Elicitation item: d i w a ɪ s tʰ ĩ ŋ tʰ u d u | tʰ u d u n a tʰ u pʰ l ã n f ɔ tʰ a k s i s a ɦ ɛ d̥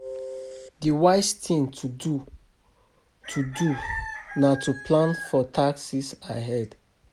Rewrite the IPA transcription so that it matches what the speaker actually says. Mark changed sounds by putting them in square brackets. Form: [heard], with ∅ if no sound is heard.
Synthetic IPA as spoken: d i w a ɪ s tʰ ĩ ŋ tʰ u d u | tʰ u d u n a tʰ u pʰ l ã n f ɔ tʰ a k s i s a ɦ ɛ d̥